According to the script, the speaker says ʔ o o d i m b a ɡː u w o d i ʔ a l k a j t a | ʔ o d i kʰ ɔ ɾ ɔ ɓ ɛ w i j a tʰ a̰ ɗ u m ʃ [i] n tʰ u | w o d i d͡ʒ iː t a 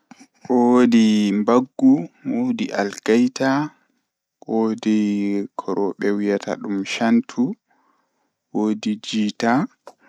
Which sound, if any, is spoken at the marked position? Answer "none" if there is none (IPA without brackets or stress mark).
a